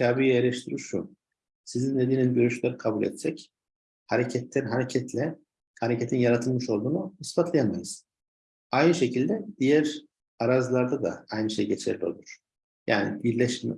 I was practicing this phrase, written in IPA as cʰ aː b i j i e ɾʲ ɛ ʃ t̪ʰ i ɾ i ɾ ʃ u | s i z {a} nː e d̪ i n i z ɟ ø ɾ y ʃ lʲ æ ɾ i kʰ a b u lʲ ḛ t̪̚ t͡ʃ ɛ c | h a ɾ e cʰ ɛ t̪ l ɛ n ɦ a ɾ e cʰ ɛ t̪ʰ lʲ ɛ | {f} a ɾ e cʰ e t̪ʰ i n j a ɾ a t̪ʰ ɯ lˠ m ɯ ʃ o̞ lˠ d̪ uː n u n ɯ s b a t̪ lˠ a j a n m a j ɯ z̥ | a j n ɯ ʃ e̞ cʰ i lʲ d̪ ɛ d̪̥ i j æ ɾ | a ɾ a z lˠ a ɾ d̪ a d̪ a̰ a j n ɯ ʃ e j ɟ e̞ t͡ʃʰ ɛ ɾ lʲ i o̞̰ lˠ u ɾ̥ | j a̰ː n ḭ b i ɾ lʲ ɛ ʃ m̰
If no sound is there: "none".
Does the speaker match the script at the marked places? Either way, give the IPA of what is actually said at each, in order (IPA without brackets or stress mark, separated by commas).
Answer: i, h